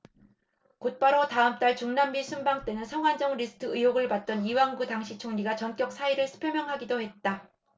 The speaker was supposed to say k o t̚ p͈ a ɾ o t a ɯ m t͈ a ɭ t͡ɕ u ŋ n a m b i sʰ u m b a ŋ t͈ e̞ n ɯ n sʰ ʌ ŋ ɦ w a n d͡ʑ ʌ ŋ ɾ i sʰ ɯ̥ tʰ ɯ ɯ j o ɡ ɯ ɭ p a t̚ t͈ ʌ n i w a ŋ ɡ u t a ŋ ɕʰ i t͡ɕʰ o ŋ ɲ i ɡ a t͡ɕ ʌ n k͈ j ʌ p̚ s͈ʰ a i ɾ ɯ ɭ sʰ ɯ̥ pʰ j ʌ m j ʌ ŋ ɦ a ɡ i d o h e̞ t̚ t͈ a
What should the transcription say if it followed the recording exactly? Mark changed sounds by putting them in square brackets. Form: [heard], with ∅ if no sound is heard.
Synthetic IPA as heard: k o t̚ p͈ a ɾ o t a ɯ m t͈ a ɭ t͡ɕ u ŋ n a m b i sʰ u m b a ŋ t͈ e̞ n ɯ n sʰ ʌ ŋ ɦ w a n d͡ʑ ʌ ŋ ɾ i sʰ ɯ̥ tʰ ɯ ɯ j o ɡ ɯ ɭ p a t̚ t͈ ʌ n i w a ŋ ɡ u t a ŋ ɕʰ i t͡ɕʰ o ŋ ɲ i ɡ a t͡ɕ ʌ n k͈ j ʌ [k̚] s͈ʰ a i ɾ ɯ ɭ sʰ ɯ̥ pʰ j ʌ m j ʌ ŋ ɦ a ɡ i d o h e̞ t̚ t͈ a